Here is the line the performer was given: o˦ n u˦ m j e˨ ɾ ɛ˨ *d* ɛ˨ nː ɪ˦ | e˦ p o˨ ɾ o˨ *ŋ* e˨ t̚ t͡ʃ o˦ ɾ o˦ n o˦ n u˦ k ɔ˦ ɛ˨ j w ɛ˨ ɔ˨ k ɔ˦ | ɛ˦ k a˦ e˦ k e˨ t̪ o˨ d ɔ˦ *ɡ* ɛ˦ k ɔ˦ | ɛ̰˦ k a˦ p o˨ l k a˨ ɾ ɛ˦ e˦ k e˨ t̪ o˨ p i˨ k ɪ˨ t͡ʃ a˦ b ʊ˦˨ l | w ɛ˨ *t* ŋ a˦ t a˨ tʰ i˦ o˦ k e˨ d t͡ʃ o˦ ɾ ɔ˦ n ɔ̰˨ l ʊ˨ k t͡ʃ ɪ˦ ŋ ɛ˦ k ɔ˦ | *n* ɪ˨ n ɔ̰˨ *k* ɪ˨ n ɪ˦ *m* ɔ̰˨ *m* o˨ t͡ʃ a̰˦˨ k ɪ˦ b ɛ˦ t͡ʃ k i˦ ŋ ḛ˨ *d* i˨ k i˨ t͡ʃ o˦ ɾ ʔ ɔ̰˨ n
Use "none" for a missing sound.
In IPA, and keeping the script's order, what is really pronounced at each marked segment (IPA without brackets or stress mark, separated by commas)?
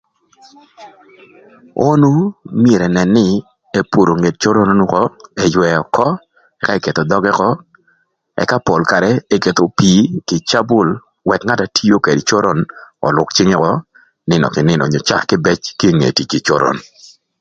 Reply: n, ŋ, ɡ, k, n, k, n, ɲ, t